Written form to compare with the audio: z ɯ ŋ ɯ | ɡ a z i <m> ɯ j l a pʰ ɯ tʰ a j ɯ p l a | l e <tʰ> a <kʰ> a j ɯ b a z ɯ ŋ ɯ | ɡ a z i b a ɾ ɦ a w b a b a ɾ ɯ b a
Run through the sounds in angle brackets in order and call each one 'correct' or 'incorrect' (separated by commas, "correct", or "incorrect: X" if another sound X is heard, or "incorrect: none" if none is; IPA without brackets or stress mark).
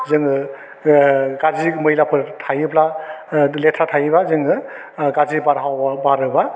correct, correct, incorrect: tʰ